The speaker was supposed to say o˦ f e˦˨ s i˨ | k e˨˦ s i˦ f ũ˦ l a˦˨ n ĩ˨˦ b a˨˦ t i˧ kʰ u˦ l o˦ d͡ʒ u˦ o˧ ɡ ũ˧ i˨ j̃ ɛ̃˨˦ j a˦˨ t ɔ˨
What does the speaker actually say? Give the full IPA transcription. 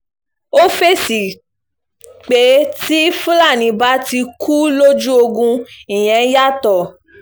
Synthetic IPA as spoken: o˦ f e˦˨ s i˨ | k͡p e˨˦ t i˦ f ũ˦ l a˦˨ n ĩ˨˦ b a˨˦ t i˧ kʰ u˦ l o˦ d͡ʒ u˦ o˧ ɡ ũ˧ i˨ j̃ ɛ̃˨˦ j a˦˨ t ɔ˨